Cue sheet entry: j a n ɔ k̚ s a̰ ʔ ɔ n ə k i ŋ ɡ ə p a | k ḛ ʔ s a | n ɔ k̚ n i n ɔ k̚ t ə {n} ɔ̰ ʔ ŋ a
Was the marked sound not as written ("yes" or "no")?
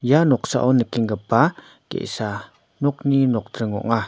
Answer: yes